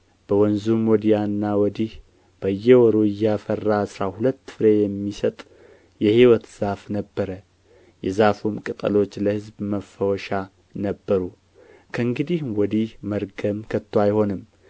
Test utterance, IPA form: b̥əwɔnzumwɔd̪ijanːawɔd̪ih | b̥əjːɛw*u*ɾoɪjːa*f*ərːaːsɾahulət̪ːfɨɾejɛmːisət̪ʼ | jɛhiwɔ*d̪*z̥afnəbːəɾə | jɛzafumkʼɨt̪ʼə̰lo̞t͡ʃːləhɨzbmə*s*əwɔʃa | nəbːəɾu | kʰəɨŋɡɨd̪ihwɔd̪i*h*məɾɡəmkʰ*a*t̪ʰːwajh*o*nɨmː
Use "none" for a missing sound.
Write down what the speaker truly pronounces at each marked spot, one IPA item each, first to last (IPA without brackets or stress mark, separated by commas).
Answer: ɔ, f, t̪, f, h, ə, o